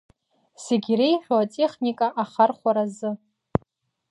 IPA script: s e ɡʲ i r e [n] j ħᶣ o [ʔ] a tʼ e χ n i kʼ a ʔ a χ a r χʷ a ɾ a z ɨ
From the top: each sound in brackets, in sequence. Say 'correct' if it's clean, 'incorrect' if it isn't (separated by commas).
incorrect, incorrect